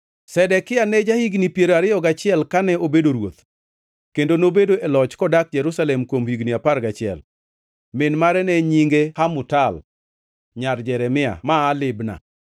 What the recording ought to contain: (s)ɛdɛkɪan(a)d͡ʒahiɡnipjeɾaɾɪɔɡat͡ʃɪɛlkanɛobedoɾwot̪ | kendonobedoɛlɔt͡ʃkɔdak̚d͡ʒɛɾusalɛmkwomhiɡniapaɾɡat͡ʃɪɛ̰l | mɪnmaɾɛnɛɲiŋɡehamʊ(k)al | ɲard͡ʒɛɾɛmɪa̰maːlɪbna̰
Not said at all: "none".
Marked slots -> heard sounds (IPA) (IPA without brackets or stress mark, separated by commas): s, ɛ, t